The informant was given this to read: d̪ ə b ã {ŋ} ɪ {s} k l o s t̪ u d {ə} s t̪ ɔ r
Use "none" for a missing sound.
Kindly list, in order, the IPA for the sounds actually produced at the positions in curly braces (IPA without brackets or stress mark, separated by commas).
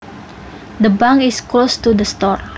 ŋ, s, ə